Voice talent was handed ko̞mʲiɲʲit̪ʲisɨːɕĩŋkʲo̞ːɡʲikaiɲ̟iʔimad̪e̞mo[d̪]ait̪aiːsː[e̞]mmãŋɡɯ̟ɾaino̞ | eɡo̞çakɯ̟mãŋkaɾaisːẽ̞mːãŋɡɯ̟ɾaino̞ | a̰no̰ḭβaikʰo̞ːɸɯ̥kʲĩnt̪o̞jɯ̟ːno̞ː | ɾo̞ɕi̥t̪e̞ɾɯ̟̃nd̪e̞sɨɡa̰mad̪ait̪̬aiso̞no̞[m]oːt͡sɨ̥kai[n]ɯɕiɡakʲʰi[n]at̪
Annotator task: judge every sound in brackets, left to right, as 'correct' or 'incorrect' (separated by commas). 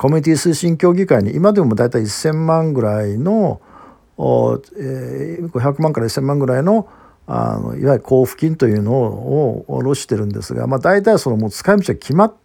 correct, incorrect, correct, incorrect, incorrect